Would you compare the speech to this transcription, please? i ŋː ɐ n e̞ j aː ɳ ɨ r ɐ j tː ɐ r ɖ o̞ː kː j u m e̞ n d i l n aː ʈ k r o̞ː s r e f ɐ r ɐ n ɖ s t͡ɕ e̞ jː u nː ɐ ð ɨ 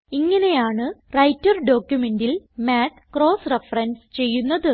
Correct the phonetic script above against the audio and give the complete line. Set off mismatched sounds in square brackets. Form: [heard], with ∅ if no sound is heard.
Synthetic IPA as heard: i ŋː ɐ n e̞ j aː ɳ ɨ r ɐ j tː ɐ r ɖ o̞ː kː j u m e̞ n d i l [m] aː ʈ k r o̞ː s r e f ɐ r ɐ n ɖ s t͡ɕ e̞ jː u nː ɐ ð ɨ